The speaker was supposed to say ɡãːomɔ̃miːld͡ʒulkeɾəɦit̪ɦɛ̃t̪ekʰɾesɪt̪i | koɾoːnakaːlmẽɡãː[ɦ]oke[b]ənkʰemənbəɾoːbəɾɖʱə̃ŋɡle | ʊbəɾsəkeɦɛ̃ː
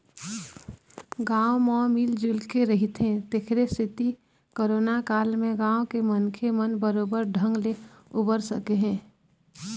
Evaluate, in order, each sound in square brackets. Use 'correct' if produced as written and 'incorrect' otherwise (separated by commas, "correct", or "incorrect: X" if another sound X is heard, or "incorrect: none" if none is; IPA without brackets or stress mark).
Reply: incorrect: none, incorrect: m